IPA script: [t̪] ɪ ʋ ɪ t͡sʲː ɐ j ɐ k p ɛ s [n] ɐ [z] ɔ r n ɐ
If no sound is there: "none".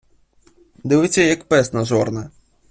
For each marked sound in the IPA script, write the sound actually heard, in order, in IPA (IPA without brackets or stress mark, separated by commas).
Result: d̪, n, z